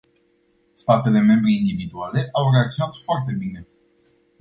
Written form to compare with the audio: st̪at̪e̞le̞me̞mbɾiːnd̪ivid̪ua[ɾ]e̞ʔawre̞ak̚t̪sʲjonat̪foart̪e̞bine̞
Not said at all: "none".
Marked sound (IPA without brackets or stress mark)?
l